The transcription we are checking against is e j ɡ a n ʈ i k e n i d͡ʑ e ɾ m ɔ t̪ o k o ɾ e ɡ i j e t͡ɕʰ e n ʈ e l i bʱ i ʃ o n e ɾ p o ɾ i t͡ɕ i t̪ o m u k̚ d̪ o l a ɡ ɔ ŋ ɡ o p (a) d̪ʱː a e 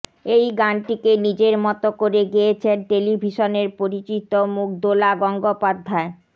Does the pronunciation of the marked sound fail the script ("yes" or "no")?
no